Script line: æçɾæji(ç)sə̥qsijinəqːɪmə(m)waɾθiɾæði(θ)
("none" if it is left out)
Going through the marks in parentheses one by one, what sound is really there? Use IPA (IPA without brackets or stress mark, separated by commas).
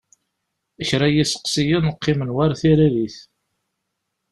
none, n, θ